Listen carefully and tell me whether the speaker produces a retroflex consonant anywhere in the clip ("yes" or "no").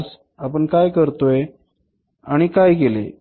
yes